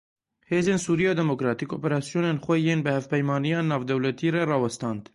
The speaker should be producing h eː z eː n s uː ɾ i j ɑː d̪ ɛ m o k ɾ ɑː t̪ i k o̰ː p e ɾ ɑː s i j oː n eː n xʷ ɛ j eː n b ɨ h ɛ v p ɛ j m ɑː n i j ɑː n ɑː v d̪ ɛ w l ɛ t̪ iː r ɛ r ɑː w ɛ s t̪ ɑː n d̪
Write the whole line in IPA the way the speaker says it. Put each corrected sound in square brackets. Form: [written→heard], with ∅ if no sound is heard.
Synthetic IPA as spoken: h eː z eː n s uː ɾ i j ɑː d̪ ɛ m o k ɾ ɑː t̪ i k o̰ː p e ɾ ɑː s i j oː n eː n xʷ ɛ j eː n b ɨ h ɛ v p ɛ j m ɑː n i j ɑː n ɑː v d̪ ɛ w l ɛ t̪ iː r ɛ r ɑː w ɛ s t̪ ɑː n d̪